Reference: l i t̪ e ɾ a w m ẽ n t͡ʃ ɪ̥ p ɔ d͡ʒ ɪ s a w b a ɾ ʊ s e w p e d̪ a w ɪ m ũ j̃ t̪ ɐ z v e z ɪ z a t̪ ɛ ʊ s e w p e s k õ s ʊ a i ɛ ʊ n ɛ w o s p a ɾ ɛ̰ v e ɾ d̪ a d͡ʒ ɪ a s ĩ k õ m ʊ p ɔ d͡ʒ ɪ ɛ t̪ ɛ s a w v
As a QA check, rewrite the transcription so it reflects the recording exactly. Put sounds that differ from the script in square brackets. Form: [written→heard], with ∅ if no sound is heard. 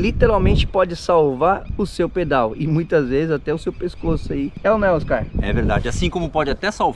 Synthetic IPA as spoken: l i t̪ e ɾ a w m ẽ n t͡ʃ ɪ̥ p ɔ d͡ʒ ɪ s a w [b→v] a ɾ ʊ s e w p e d̪ a w ɪ m ũ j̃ t̪ ɐ z v e z ɪ z a t̪ ɛ ʊ s e w p e s k [õ→o] s ʊ a i ɛ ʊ n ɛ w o s [p→k] a ɾ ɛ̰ v e ɾ d̪ a d͡ʒ ɪ a s ĩ k õ m ʊ p ɔ d͡ʒ ɪ [ɛ→a] t̪ ɛ s a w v